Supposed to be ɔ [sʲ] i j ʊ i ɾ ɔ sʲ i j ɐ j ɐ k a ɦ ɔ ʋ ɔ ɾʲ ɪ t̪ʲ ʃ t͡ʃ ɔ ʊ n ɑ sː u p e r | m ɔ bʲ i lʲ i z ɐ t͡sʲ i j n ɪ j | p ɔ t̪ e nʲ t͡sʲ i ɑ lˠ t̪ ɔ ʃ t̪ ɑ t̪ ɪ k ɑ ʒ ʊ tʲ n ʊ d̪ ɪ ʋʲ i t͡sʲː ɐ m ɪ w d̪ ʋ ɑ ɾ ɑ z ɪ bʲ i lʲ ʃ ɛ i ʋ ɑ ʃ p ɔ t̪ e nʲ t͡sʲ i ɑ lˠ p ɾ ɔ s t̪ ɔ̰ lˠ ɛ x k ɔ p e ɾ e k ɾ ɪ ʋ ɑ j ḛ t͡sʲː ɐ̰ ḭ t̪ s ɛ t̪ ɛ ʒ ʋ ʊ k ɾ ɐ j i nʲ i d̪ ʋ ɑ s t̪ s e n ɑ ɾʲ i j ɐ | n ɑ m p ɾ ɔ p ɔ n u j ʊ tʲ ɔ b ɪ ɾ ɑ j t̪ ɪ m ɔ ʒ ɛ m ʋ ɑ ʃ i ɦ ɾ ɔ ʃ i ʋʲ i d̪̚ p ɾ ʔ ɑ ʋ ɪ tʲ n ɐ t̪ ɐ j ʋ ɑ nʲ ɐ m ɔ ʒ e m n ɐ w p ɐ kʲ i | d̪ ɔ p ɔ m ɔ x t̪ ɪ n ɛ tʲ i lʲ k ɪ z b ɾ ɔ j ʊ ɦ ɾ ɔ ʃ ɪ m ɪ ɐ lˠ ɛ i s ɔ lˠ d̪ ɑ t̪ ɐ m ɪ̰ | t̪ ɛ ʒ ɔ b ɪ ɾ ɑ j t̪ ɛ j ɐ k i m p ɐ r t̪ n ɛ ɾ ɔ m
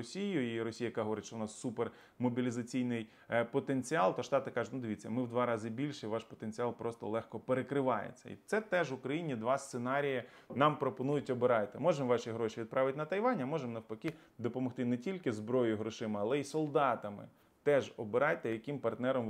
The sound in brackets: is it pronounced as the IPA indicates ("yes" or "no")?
yes